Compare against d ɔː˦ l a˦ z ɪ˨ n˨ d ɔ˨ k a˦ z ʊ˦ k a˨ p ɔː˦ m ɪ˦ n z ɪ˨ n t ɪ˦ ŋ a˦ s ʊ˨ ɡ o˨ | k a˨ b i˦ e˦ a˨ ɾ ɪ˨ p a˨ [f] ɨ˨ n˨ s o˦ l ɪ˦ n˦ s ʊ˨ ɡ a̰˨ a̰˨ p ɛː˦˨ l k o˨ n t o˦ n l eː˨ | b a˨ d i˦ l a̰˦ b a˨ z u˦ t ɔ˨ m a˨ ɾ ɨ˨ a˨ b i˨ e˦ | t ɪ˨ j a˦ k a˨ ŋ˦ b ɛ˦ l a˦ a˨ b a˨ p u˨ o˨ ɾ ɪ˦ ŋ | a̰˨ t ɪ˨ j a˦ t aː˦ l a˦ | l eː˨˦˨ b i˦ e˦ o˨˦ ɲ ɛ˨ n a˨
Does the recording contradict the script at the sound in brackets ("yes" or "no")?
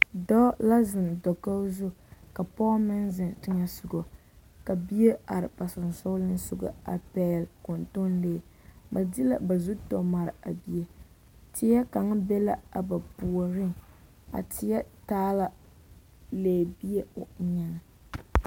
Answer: yes